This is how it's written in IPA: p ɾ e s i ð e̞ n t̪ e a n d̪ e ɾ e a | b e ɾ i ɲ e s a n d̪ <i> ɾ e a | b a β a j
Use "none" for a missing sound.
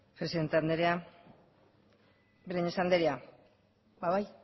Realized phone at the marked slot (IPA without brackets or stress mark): e